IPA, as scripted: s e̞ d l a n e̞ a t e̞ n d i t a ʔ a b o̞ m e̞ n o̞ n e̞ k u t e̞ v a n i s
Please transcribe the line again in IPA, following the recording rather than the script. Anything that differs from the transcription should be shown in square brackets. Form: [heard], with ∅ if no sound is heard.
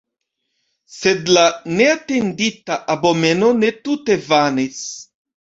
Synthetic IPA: s e̞ d l a n e̞ a t e̞ n d i t a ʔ a b o̞ m e̞ n o̞ n e̞ [t] u t e̞ v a n i s